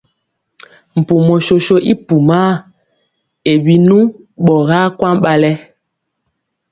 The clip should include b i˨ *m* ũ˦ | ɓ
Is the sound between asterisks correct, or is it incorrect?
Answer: incorrect